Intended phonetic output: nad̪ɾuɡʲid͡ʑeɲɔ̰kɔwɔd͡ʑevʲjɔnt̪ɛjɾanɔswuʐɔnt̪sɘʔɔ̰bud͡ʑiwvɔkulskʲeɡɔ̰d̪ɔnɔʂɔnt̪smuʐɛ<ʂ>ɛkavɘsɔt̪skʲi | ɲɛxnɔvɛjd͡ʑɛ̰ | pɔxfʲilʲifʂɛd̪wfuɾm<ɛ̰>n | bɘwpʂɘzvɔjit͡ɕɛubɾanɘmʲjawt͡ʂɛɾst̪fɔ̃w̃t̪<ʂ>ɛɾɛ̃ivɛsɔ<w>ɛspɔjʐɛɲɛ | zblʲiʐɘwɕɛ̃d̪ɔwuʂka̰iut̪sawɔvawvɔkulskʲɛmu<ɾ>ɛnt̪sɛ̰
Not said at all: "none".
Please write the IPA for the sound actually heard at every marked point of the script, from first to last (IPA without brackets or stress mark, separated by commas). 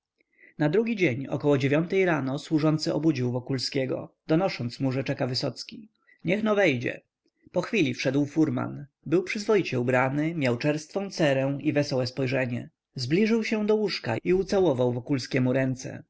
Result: t͡ʂ, a̰, s, w, ɾ